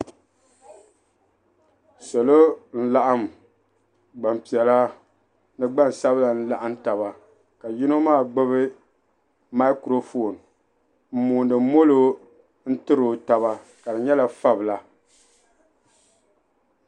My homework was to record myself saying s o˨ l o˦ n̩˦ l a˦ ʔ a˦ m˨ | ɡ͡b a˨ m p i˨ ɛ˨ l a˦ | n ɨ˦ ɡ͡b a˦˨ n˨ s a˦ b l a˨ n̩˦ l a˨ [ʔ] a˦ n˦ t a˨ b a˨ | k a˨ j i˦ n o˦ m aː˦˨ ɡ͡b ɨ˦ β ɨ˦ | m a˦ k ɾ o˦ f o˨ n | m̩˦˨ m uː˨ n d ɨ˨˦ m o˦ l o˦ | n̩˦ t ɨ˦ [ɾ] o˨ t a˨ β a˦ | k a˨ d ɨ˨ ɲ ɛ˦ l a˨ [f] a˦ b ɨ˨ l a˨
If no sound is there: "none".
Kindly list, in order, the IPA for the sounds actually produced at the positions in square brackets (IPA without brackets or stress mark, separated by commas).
ʔ, ɾ, f